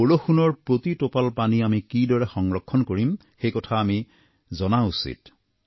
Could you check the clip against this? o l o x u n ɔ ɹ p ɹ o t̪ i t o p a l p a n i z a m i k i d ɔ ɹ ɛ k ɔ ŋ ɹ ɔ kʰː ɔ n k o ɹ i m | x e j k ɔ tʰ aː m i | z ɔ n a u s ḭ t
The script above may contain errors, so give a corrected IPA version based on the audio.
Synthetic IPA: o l o x u n ɔ ɹ p ɹ o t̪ i t o p a l p a n i a m i k i d ɔ ɹ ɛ x ɔ ŋ ɹ ɔ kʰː ɔ n k o ɹ i m | x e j k ɔ tʰ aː m i | z ɔ n a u s ḭ t